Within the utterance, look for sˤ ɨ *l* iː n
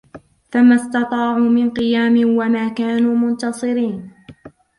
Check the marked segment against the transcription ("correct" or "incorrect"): incorrect